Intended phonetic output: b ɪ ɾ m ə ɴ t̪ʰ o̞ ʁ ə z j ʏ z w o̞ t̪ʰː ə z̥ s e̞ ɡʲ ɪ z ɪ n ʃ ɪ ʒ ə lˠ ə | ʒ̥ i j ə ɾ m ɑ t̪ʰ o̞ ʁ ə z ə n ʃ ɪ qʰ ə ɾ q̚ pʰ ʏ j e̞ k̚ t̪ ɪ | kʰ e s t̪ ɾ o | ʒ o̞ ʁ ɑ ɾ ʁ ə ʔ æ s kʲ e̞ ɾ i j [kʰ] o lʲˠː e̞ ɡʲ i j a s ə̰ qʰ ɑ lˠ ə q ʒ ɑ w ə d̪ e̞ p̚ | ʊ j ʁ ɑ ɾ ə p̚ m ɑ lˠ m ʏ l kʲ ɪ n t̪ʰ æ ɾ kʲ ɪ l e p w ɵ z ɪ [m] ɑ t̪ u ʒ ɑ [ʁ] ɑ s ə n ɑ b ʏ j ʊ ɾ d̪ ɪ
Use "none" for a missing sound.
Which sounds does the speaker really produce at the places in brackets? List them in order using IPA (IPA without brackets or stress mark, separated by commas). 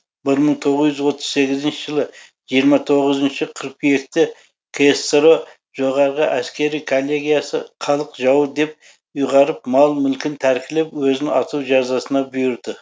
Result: kʰ, n, z